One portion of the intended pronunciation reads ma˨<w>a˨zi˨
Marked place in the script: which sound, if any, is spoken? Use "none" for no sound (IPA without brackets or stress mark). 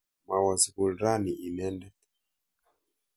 w